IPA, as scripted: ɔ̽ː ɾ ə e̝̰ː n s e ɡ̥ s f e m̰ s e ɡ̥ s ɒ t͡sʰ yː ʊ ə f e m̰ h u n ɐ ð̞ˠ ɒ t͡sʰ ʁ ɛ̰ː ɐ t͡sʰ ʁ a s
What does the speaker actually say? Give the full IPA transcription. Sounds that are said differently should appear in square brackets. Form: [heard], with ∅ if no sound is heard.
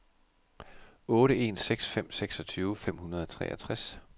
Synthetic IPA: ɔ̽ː ɾ ə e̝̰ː n s e ɡ̥ s f e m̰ s e ɡ̥ s ɒ t͡sʰ yː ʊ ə f e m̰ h u n ɐ ð̞ˠ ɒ t͡sʰ ʁ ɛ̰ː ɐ t͡sʰ ʁ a s